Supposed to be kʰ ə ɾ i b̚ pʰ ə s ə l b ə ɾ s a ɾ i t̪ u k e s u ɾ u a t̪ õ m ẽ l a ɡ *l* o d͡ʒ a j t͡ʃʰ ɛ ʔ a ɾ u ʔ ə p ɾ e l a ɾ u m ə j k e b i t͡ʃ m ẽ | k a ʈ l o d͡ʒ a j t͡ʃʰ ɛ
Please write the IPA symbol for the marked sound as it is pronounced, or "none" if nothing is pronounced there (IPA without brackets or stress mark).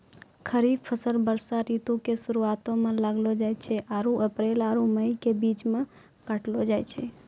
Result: l